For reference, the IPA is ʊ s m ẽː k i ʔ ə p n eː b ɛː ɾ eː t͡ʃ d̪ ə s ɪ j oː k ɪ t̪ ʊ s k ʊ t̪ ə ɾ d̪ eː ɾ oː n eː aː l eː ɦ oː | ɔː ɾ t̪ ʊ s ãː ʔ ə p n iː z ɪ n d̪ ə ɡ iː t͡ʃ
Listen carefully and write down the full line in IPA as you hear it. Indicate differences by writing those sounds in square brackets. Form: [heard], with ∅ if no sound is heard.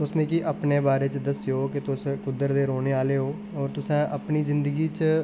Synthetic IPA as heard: ʊ s m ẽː k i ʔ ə p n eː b [aː] ɾ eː t͡ʃ d̪ ə s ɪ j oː k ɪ t̪ ʊ s k ʊ [d̪] ə ɾ d̪ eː ɾ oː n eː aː l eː ɦ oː | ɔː ɾ t̪ ʊ s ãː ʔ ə p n iː z ɪ n d̪ ə ɡ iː t͡ʃ